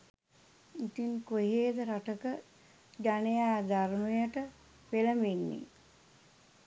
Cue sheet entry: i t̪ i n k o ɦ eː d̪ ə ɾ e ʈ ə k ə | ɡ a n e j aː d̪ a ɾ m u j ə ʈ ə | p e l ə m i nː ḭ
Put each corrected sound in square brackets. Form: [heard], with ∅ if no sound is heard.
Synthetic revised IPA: i t̪ i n k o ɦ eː d̪ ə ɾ [a] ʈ ə k ə | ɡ a n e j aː d̪ a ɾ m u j ə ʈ ə | p e l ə m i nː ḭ